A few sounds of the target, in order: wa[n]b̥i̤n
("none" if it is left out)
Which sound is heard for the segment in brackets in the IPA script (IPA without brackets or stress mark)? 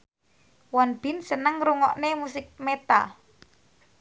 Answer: n